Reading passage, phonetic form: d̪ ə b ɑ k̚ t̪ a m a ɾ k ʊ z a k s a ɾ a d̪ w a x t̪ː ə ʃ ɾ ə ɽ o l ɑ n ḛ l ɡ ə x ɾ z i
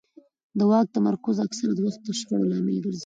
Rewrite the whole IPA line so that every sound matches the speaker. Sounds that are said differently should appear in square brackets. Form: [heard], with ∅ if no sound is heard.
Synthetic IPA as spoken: d̪ ə [w] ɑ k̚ t̪ a m a ɾ k ʊ z a k s a ɾ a d̪ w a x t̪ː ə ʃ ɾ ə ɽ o l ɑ [m] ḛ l ɡ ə [∅] ɾ z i